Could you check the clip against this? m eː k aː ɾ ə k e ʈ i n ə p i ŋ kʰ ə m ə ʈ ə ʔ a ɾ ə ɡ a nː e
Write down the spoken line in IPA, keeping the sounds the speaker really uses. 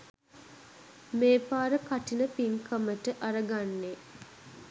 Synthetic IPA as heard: m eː p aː ɾ ə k a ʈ i n ə p i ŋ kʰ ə m ə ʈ ə ʔ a ɾ ə ɡ a nː e